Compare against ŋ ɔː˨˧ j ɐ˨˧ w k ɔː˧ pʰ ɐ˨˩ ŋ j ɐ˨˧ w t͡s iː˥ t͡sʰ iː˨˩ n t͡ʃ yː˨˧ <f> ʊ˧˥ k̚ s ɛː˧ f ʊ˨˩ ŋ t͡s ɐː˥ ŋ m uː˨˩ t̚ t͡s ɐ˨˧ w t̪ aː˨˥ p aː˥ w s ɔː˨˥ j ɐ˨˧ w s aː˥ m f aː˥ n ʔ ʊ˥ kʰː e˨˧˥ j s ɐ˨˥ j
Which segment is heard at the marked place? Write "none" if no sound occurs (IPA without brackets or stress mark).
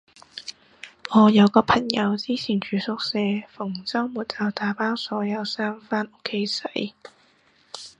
s